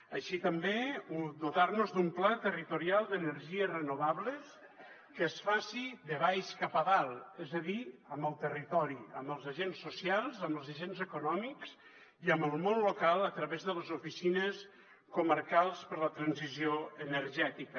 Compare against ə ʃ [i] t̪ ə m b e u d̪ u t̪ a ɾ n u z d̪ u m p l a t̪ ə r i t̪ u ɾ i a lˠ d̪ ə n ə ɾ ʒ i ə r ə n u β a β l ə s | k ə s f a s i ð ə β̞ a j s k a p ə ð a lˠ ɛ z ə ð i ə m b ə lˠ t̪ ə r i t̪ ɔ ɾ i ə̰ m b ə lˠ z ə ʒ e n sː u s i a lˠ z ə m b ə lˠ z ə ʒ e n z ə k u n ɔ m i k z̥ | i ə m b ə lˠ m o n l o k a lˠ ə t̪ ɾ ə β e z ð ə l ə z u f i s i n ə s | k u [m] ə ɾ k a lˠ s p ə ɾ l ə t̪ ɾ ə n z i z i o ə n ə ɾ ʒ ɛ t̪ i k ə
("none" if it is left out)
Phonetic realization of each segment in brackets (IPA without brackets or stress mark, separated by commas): i, m